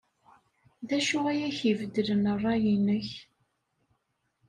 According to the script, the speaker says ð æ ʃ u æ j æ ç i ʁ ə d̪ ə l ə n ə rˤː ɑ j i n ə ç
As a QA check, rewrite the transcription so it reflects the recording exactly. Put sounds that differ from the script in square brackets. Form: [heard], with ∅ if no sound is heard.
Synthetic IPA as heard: ð æ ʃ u æ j æ ç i [v] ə d̪ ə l ə n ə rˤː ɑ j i n ə ç